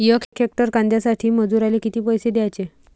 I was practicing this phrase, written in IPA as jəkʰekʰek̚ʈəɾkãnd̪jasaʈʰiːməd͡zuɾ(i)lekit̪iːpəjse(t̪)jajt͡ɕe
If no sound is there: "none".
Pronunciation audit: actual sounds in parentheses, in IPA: a, d̪

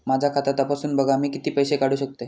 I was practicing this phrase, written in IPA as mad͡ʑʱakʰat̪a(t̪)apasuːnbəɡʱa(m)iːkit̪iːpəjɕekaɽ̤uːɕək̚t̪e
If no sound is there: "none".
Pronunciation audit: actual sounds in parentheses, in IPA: t̪, m

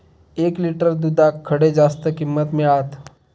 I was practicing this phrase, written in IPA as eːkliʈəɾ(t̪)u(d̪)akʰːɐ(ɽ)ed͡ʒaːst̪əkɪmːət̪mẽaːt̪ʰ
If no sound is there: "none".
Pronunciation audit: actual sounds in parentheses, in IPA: d̪, d̪, ɽ

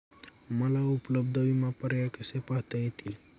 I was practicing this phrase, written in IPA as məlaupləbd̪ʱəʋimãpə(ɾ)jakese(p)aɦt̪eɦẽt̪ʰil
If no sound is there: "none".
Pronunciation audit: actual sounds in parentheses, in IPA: ɾ, p

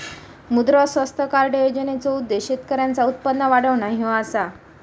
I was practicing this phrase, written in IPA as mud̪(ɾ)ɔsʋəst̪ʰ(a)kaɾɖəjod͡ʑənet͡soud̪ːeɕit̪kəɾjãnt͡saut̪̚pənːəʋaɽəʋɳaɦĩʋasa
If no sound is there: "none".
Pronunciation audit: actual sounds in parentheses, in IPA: ɾ, ə

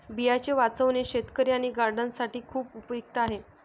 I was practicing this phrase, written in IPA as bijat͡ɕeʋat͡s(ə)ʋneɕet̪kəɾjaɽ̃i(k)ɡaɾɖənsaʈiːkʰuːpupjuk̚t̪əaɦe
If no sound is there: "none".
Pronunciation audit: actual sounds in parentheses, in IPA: ə, none

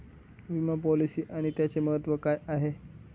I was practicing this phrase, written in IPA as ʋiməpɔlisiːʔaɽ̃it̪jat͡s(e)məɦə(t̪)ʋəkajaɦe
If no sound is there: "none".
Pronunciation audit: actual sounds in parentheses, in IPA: e, t̪

